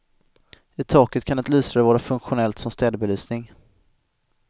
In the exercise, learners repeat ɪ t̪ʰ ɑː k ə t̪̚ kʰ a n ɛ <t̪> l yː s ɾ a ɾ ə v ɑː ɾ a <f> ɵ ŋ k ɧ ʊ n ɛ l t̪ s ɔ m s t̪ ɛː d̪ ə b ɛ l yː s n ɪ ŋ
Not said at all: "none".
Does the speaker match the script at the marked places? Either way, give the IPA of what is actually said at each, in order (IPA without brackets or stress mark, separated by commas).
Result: t̪, f